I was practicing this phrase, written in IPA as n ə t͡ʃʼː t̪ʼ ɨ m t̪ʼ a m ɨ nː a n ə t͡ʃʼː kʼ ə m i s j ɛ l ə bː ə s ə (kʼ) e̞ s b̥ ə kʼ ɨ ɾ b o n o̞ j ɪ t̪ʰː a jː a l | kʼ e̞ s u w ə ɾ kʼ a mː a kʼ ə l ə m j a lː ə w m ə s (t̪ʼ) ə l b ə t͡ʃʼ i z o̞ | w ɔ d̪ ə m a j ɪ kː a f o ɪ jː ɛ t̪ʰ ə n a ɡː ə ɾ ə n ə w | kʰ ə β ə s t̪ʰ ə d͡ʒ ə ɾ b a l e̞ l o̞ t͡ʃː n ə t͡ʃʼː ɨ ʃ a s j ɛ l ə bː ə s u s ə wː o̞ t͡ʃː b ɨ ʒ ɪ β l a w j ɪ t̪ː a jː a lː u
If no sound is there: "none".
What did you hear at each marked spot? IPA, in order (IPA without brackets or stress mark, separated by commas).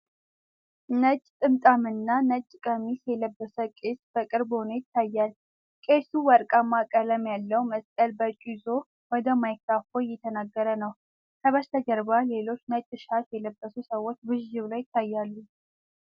kʼ, t̪ʼ